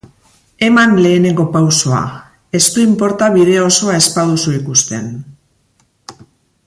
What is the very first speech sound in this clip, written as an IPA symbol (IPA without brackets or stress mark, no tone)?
e̞